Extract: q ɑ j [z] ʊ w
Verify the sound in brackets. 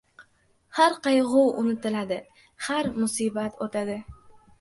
incorrect: ʁ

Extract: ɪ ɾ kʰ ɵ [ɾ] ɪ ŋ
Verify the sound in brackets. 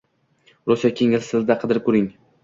correct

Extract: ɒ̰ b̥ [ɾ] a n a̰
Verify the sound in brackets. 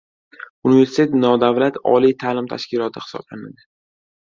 incorrect: l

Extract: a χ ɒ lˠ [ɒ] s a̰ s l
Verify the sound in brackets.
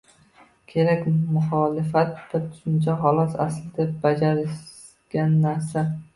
correct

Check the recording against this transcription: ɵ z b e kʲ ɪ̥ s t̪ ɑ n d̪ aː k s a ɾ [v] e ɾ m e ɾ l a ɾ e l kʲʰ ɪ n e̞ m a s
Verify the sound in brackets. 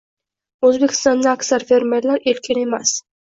incorrect: f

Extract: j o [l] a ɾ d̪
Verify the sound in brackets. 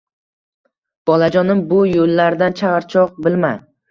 incorrect: lː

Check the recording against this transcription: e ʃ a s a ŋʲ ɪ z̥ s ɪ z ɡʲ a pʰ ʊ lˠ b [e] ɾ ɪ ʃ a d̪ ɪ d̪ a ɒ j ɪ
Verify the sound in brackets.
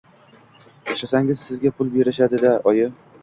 correct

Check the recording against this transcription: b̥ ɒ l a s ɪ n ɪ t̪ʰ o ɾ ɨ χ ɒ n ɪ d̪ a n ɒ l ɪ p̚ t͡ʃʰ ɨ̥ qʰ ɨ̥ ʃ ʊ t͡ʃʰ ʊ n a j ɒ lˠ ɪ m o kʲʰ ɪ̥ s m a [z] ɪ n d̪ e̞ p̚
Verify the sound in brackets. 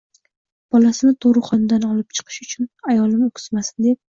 incorrect: s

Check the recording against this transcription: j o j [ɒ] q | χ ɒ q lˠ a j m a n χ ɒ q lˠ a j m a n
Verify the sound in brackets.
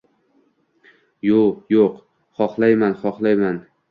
incorrect: o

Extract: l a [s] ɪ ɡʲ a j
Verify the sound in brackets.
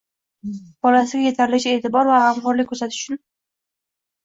correct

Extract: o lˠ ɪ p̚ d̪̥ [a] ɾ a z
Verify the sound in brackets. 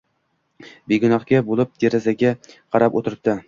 incorrect: e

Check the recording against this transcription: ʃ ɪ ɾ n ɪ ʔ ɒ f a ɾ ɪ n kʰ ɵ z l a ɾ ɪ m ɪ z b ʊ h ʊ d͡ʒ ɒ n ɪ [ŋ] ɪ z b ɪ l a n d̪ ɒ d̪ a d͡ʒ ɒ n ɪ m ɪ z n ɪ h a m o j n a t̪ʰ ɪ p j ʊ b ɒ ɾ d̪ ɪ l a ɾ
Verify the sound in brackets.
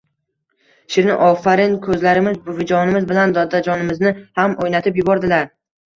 incorrect: m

